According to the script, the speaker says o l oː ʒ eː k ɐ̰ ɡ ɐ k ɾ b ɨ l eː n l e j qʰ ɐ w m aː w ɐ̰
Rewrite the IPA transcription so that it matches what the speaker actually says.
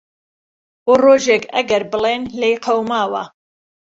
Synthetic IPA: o r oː ʒ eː k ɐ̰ ɡ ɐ ɾ b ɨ l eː n l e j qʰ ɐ w m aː w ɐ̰